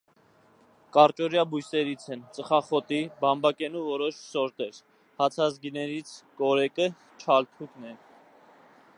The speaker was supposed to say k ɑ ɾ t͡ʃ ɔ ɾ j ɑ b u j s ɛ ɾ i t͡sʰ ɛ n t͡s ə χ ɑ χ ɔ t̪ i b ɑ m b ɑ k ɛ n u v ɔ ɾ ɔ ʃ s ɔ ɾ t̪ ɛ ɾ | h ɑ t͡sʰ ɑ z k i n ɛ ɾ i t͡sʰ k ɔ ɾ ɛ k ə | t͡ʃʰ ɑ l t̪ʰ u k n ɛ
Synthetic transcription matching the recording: k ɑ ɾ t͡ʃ ɔ ɾ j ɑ b u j s ɛ ɾ i t͡sʰ ɛ n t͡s ə χ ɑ χ ɔ t̪ i b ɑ m b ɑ k ɛ n u v ɔ ɾ ɔ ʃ s ɔ ɾ t̪ ɛ ɾ | h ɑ t͡sʰ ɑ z ɡ i n ɛ ɾ i t͡sʰ k ɔ ɾ ɛ k ə | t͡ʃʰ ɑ l t̪ʰ u k n ɛ